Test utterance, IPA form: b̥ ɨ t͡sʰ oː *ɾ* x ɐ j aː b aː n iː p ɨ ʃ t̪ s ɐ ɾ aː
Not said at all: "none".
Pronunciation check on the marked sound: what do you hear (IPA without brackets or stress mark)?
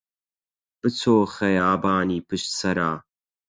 none